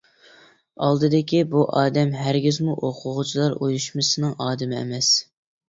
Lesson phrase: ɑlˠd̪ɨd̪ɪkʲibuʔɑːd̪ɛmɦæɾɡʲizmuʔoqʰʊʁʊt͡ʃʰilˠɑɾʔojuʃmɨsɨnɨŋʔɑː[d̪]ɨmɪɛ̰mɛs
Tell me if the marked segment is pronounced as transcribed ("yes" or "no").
yes